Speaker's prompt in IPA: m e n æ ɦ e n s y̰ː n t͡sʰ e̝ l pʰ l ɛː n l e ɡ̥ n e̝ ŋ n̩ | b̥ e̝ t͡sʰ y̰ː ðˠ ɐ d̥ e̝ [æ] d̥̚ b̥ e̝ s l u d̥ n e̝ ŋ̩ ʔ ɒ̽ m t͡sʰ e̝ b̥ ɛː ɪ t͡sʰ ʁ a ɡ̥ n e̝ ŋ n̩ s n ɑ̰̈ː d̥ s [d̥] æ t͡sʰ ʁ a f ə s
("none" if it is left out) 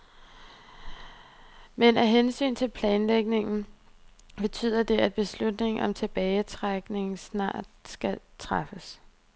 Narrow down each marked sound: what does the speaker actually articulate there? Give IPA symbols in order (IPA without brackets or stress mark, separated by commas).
æ, ɡ̥